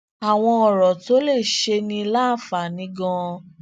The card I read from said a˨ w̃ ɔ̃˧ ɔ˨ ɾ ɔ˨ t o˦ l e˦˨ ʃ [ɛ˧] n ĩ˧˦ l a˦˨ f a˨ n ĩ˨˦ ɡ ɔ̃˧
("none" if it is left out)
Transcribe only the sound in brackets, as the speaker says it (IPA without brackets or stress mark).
e˧